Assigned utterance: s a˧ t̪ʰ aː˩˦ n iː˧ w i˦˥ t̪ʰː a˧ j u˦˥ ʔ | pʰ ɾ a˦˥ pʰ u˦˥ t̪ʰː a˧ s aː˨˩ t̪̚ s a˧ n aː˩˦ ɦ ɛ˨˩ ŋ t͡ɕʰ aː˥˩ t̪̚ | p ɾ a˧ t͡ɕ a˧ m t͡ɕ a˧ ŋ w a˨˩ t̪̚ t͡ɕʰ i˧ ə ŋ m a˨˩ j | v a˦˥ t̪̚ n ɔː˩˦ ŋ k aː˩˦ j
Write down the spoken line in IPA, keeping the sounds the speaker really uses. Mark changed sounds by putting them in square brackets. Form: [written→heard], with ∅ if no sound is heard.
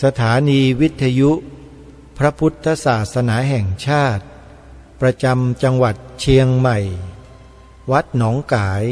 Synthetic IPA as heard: s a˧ t̪ʰ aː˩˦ n iː˧ w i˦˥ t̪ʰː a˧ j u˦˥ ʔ | pʰ ɾ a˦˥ pʰ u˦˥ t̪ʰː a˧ s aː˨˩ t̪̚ s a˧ n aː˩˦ ɦ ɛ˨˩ ŋ t͡ɕʰ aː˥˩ t̪̚ | p ɾ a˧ t͡ɕ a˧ m t͡ɕ a˧ ŋ w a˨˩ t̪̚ t͡ɕʰ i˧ ə ŋ m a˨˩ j | [v→w] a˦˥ t̪̚ n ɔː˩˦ ŋ k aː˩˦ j